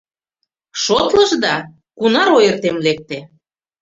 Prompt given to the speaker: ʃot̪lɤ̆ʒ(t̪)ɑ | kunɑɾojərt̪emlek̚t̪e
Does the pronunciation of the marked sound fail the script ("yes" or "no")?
yes